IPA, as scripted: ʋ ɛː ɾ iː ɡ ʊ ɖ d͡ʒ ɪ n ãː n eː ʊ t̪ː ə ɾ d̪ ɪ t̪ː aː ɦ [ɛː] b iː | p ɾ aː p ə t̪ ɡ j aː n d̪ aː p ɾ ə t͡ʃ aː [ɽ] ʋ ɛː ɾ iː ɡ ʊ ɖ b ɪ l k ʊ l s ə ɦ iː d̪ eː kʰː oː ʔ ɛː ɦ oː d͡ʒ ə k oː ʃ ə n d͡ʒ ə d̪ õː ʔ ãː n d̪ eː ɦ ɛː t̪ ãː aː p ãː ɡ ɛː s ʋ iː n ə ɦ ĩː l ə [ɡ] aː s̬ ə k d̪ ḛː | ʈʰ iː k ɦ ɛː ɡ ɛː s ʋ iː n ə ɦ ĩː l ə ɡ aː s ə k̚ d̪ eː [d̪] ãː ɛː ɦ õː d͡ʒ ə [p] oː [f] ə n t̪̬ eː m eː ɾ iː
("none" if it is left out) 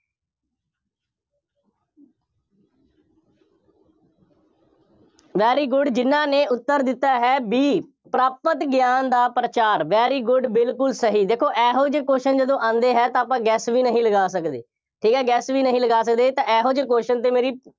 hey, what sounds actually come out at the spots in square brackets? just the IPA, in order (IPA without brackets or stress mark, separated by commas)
ɛː, ɾ, ɡ, t̪, k, ʃ